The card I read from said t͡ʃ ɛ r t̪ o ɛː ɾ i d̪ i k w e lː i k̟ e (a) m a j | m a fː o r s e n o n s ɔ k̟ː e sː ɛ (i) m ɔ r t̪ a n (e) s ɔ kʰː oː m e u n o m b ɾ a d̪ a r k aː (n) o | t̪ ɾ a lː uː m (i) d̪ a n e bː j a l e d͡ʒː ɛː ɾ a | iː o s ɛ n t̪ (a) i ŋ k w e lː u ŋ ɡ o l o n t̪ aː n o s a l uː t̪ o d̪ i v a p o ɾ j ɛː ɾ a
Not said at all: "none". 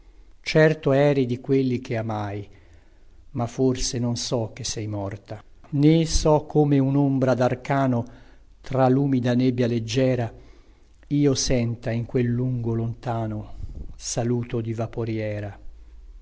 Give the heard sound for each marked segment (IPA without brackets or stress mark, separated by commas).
a, j, e, n, i, a